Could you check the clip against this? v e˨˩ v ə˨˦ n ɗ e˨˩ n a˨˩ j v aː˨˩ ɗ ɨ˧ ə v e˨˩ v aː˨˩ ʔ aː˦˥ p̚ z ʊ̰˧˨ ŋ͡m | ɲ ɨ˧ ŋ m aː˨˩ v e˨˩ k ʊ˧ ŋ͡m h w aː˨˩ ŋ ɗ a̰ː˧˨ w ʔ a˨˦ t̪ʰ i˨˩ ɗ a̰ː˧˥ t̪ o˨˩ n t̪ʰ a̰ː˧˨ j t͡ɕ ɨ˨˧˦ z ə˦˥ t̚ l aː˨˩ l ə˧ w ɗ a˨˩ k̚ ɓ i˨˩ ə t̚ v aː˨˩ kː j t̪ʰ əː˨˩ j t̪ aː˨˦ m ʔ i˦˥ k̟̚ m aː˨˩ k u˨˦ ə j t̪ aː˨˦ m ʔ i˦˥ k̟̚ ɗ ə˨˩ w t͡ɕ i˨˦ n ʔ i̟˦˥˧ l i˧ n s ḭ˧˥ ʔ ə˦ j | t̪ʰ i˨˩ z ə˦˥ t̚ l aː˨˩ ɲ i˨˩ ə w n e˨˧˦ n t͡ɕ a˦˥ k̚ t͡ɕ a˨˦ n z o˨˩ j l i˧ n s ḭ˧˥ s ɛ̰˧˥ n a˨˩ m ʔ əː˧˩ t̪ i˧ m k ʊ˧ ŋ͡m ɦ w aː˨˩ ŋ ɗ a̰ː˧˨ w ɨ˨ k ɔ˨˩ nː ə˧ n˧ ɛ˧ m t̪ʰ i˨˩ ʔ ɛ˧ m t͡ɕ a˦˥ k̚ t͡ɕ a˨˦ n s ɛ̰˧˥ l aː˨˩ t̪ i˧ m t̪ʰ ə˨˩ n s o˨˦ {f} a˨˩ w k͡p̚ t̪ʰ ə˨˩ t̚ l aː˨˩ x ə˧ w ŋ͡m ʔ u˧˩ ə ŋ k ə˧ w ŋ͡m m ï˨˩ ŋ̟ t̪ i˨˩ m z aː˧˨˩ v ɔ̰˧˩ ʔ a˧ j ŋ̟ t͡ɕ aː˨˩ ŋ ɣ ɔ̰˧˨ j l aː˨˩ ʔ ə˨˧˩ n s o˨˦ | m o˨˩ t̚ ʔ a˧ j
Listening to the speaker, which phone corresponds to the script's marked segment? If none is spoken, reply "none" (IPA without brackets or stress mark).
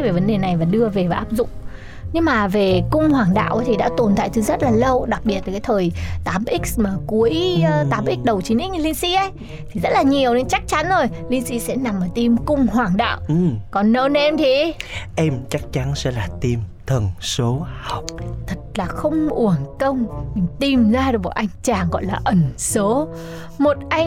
h